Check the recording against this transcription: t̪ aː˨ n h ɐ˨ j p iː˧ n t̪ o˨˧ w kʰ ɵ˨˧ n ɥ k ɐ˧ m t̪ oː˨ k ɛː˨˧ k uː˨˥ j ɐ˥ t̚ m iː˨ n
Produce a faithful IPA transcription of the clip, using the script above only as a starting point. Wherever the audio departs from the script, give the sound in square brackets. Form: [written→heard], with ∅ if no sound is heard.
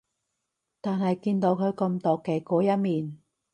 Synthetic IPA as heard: t̪ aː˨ n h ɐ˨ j [p→k] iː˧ n t̪ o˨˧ w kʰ ɵ˨˧ [n→∅] ɥ k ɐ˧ m t̪ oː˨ k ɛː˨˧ k [uː˨˥→ɔː˨˥] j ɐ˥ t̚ m iː˨ n